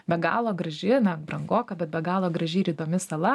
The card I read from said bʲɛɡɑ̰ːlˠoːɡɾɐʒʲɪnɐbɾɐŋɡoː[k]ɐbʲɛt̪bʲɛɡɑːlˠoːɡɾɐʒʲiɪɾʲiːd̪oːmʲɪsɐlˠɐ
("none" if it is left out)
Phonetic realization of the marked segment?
k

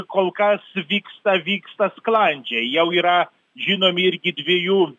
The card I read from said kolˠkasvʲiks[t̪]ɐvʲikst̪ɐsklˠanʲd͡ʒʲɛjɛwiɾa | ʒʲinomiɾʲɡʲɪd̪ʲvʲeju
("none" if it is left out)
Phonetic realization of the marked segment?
t̪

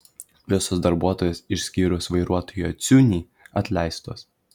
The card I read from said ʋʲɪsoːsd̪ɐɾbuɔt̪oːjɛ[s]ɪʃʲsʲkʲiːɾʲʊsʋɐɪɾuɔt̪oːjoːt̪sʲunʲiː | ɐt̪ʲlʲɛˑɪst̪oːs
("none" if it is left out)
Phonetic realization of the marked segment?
s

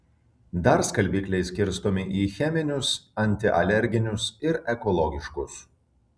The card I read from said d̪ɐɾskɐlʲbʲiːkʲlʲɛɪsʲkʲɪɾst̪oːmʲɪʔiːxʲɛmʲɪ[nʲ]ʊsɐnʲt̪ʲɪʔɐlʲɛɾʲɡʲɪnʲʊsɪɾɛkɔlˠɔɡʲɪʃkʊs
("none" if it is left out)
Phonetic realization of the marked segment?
nʲ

